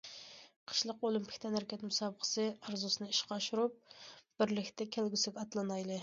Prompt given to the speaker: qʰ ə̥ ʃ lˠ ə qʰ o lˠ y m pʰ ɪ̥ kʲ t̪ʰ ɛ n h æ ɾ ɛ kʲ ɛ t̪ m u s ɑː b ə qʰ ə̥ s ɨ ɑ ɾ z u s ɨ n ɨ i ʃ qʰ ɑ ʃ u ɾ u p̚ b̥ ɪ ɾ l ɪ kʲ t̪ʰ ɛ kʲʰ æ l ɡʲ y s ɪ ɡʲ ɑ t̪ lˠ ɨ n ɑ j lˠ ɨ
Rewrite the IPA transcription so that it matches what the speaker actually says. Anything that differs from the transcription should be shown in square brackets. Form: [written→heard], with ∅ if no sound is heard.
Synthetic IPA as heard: qʰ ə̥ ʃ lˠ ə [qʰ→q] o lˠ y m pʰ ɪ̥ kʲ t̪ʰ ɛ n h æ ɾ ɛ kʲ ɛ t̪ m u s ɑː b ə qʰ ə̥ s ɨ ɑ ɾ z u s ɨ n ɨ i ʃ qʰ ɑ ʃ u ɾ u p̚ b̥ ɪ ɾ l ɪ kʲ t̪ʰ ɛ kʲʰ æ l ɡʲ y s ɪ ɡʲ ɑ t̪ lˠ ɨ n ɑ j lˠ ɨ